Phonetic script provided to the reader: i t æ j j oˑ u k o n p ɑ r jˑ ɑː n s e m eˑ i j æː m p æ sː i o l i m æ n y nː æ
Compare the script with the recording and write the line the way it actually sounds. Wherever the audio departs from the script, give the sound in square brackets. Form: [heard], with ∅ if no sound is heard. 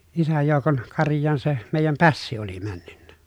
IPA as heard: i [s] æ j j oˑ u k o n [k] ɑ r jˑ ɑː n s e m eˑ i j [æ] m p æ sː i o l i m æ [nː] y nː æ